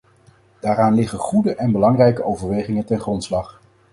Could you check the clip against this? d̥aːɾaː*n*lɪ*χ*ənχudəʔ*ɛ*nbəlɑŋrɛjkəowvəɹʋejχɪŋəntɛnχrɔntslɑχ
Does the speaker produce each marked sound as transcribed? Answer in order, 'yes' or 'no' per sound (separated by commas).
yes, yes, yes